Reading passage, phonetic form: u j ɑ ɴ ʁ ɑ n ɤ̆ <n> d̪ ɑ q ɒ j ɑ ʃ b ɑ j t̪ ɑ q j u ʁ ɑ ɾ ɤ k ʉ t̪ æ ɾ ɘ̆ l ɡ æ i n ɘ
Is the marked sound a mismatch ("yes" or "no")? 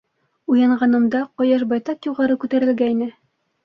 yes